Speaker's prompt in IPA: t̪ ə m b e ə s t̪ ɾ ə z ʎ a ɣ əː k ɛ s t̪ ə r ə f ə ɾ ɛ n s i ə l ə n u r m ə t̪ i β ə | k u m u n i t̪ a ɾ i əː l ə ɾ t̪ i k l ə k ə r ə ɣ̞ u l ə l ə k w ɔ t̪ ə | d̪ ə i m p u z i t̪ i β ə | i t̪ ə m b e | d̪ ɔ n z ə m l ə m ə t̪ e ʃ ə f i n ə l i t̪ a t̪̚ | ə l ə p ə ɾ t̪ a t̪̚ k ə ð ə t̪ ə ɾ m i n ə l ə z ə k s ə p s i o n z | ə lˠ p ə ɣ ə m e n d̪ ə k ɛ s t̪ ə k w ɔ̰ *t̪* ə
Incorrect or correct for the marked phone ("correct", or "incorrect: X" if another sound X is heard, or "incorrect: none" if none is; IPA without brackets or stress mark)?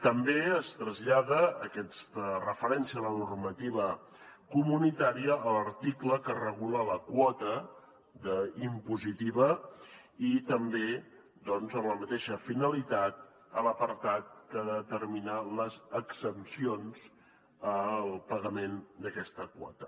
correct